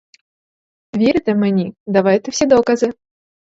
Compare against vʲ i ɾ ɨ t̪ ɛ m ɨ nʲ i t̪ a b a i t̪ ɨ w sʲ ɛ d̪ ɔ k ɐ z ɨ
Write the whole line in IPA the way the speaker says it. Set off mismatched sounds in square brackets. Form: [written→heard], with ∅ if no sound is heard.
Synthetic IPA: vʲ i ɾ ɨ t̪ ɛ m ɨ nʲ i [t̪→d̪] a [b→v] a [i→j] t̪ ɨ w sʲ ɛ d̪ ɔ k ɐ z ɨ